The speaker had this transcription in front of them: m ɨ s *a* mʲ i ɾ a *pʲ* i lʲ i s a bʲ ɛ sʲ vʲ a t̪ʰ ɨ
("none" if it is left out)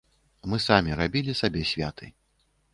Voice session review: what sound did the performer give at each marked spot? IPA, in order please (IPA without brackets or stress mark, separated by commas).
a, bʲ